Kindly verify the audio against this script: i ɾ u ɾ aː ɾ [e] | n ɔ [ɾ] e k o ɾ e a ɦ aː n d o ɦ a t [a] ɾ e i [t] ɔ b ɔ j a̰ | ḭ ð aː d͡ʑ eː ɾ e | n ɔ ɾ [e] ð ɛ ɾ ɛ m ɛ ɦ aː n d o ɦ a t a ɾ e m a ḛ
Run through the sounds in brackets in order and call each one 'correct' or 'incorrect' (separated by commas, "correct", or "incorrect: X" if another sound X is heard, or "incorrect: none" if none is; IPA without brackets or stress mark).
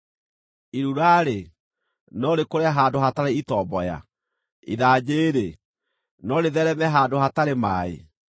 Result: correct, correct, correct, correct, correct